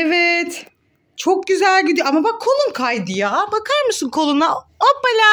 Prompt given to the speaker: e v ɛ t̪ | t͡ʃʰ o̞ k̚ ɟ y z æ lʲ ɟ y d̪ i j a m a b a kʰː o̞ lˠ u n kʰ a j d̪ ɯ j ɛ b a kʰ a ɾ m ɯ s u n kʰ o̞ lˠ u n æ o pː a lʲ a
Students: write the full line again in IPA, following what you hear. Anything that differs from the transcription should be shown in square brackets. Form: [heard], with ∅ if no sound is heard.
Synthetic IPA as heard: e v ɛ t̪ | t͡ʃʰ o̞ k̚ ɟ y z æ lʲ ɟ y d̪ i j a m a b a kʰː o̞ lˠ u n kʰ a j d̪ ɯ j [a] b a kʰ a ɾ m ɯ s [ɯ] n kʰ o̞ lˠ u n [a] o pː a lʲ a